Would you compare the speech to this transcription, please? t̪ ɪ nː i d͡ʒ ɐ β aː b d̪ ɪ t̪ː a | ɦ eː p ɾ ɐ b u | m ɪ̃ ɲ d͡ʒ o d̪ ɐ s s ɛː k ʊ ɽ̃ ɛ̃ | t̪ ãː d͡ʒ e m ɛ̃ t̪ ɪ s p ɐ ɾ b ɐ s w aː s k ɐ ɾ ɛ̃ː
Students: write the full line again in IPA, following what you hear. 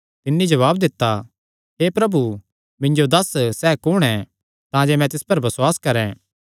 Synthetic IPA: t̪ ɪ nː i d͡ʒ ɐ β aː b d̪ ɪ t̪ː a | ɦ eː p ɾ ɐ b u | m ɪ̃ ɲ d͡ʒ o d̪ ɐ s s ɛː k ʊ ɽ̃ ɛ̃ | t̪ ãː d͡ʒ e m ɛ̃ t̪ ɪ s p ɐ ɾ b ɐ s w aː s k ɐ ɾ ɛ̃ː